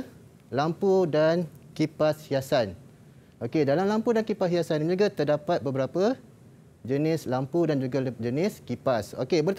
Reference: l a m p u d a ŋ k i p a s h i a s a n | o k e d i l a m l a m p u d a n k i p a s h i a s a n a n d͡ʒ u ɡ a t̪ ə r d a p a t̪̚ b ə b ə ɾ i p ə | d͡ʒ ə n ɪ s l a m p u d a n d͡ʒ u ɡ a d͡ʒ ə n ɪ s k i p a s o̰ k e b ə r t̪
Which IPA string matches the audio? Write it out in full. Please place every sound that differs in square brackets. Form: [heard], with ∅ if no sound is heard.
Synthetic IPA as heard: l a m p u d a [n] k i p a s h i a s a n | o k e d [a] l a m l a m p u d a n k i p a s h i a s a n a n d͡ʒ u ɡ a t̪ ə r d a p a t̪̚ b ə b ə ɾ [a] p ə | d͡ʒ ə n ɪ s l a m p u d a n d͡ʒ u ɡ a d͡ʒ ə n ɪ s k i p a s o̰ k e b ə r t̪